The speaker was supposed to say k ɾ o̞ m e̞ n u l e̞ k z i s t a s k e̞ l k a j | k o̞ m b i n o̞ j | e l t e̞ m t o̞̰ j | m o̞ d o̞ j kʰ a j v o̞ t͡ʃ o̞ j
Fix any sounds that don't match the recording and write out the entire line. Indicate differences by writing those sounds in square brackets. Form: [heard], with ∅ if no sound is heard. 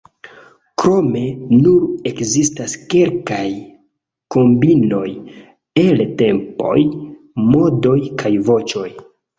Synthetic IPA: k ɾ o̞ m e̞ n u [ɾ] e̞ k z i s t a s k e̞ l k a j | k o̞ m b i n o̞ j | e l t e̞ m [p] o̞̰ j | m o̞ d o̞ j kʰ a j v o̞ t͡ʃ o̞ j